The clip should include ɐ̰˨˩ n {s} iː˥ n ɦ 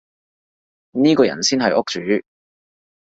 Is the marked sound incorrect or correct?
correct